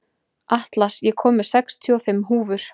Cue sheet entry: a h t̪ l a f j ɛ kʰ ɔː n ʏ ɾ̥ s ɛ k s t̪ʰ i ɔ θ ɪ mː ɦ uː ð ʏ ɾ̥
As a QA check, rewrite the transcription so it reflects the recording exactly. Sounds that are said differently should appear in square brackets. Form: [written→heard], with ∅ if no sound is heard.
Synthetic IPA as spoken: a h t̪ l a [f→s] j ɛ kʰ ɔː [n→m] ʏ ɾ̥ s ɛ k s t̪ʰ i ɔ [θ→f] ɪ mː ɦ uː [ð→v] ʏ ɾ̥